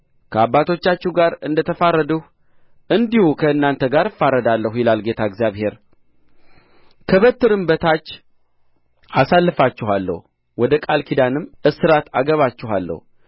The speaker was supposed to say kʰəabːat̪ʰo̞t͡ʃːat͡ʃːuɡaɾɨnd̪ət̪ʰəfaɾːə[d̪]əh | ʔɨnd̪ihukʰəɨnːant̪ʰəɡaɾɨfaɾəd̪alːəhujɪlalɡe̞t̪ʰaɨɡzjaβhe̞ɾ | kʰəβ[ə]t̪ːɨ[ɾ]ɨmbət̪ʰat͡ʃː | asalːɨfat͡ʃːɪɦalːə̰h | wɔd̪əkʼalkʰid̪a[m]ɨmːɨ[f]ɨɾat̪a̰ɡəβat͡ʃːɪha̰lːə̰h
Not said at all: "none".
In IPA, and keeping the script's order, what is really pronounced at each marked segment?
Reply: d̪, ə, ɾ, n, s

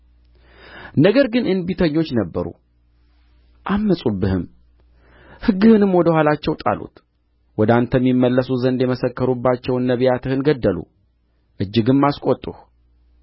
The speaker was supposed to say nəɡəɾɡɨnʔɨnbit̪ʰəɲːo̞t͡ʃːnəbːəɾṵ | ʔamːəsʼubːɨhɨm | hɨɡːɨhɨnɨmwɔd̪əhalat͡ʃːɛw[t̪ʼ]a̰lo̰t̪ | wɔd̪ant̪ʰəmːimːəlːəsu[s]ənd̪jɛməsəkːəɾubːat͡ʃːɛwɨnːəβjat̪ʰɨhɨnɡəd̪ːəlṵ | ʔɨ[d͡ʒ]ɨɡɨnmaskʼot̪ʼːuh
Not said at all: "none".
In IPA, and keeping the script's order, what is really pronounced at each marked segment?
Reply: t̪ʼ, z, d͡ʒː

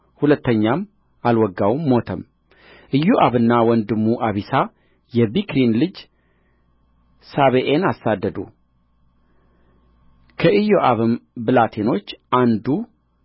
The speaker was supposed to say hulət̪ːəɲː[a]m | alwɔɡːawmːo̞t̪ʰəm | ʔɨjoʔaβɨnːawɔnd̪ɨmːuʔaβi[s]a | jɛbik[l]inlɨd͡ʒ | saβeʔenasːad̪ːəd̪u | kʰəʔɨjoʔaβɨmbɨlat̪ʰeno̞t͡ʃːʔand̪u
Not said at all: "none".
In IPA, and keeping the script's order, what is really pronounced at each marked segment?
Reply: a, s, ɾ

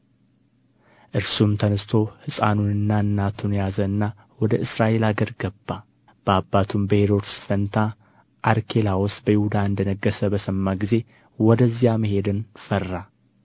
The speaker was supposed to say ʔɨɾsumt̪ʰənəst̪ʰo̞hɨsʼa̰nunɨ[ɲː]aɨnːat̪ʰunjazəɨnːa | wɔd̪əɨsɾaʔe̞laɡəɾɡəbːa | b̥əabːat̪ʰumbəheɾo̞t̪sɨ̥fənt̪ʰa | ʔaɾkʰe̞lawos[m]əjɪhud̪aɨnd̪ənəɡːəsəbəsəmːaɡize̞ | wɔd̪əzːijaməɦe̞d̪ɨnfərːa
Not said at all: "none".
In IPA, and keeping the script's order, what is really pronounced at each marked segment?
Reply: nː, b

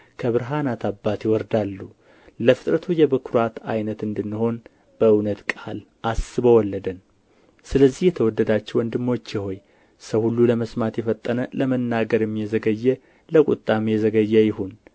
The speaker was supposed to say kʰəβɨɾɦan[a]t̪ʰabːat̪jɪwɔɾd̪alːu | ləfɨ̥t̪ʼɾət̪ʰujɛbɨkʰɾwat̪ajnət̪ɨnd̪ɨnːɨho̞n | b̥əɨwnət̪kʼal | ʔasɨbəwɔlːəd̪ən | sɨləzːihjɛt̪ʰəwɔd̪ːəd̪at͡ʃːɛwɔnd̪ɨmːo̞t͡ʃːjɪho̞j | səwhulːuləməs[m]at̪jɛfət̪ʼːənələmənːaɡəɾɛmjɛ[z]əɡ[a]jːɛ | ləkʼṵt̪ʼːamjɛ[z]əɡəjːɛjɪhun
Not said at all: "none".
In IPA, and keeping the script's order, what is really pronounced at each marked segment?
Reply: a, m, z, ə, z

